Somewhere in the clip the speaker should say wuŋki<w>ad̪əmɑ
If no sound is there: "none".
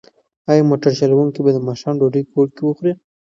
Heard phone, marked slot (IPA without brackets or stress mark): b